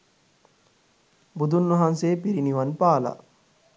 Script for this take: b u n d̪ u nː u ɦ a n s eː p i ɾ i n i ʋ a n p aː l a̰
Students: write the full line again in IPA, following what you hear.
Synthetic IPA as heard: b u d̪ u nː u ɦ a n s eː p i ɾ i n i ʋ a n p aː l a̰